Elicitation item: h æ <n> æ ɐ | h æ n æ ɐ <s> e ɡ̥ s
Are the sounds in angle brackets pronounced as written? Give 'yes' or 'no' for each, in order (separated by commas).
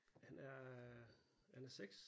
yes, yes